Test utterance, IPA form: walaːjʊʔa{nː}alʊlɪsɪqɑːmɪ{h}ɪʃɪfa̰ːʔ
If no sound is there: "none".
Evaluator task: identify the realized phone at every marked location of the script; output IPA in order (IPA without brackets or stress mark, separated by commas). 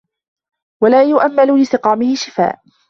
mː, h